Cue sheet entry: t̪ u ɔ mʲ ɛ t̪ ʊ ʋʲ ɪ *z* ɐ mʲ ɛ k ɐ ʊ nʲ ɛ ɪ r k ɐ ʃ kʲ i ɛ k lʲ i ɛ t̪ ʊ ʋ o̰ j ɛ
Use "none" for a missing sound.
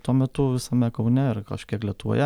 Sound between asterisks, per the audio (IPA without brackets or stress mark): s